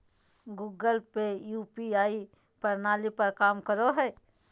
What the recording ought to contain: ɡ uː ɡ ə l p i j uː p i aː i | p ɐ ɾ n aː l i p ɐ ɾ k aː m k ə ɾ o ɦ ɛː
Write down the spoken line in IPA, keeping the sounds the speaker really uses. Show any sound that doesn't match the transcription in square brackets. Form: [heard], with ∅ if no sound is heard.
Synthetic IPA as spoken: ɡ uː ɡ ə l p [e] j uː p i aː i | p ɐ ɾ n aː l i p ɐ ɾ k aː m k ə ɾ o ɦ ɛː